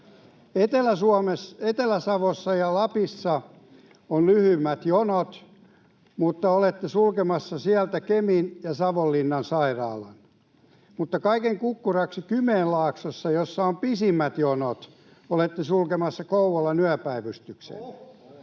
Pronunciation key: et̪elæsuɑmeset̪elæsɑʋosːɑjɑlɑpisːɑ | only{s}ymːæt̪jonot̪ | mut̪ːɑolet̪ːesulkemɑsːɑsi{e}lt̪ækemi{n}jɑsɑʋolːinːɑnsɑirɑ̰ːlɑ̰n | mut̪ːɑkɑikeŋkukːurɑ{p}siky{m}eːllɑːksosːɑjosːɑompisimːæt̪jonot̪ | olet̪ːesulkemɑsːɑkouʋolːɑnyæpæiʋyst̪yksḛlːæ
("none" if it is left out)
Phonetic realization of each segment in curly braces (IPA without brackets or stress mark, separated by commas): h, æ, n, k, m